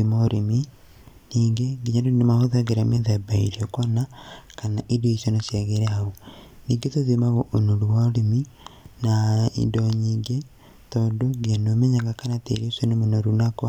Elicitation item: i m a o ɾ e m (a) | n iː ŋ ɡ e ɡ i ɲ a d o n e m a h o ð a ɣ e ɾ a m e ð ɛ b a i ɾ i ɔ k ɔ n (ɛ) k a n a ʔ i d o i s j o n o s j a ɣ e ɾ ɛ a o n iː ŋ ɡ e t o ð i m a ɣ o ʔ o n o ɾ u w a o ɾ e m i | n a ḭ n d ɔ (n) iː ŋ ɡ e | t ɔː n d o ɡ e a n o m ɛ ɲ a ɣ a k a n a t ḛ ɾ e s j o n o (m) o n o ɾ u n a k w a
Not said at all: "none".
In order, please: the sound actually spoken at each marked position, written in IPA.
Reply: i, a, ɲ, m

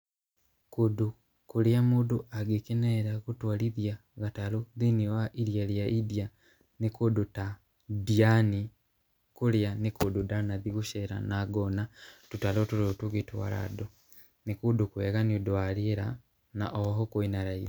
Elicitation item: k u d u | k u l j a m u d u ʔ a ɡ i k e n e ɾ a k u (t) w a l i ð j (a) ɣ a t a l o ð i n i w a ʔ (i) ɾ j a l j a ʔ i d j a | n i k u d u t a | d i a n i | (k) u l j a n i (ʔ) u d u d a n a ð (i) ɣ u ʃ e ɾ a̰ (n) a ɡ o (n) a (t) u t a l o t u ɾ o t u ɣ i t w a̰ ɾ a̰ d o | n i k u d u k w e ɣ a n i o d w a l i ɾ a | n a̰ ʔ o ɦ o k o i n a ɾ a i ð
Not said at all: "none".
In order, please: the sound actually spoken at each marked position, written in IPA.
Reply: t, a, i, k, k, i, n, n, t

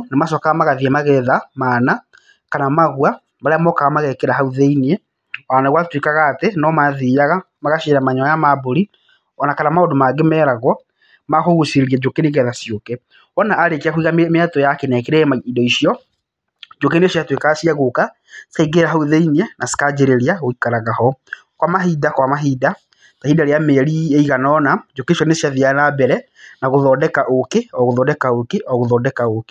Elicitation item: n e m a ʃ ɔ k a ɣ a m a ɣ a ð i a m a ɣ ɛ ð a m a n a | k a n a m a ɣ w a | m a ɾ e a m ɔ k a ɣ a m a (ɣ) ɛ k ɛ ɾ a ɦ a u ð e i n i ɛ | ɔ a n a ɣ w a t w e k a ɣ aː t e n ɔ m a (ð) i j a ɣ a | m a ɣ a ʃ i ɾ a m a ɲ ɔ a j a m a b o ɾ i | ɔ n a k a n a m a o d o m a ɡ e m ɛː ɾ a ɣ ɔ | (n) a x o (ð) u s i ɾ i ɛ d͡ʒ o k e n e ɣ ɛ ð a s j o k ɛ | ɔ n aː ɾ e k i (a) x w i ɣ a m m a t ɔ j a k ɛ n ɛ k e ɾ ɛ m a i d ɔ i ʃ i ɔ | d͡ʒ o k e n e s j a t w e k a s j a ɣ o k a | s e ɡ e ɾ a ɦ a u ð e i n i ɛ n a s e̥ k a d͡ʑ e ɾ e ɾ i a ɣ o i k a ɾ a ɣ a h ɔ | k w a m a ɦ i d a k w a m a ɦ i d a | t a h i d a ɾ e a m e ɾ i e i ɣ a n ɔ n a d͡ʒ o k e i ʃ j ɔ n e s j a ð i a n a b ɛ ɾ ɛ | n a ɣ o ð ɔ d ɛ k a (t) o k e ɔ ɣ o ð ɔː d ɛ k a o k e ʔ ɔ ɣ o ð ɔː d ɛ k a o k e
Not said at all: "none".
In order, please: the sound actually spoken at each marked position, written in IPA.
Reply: ɣ, ð, m, ɣ, a, ʔ

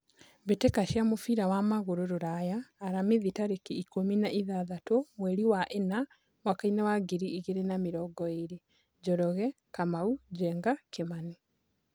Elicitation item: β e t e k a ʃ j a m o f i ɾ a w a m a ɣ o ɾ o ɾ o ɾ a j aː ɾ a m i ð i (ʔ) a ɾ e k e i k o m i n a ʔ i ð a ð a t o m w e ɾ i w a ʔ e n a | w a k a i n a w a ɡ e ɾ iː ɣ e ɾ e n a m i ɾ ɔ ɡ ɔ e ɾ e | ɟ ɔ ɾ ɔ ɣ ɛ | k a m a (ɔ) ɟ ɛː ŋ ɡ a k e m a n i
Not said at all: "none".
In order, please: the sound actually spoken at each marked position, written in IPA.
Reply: t, u

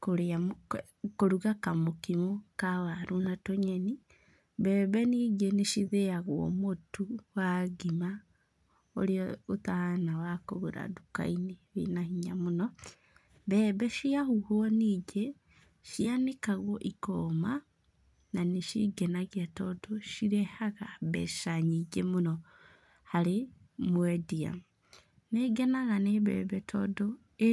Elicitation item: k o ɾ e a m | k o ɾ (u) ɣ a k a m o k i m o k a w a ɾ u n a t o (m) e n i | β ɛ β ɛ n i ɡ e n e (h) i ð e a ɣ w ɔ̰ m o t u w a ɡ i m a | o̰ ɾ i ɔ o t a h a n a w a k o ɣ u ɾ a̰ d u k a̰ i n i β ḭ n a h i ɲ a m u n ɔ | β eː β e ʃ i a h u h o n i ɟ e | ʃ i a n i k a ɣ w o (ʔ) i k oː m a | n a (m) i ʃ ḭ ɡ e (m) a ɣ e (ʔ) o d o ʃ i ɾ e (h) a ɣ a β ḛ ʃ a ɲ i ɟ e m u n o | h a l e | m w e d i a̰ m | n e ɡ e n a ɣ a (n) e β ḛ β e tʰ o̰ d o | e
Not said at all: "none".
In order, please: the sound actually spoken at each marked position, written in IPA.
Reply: u, ɲ, ʃ, ʔ, n, n, t, h, n

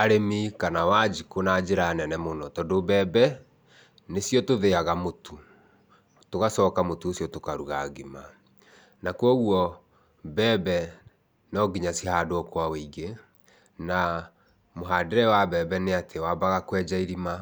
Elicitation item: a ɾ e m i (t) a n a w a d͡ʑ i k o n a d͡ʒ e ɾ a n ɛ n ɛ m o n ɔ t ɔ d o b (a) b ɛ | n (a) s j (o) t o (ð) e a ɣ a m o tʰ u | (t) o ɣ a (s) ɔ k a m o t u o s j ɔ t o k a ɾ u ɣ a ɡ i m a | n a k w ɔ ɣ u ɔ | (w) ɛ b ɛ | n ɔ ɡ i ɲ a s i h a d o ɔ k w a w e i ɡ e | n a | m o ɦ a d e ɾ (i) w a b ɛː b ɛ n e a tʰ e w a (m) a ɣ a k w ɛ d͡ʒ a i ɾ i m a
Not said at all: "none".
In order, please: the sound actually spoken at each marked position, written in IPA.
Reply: k, ɛ, e, ɔ, ð, t, s, b, ɛ, b

